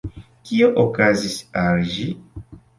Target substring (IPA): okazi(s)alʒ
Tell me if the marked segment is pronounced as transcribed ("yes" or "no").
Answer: yes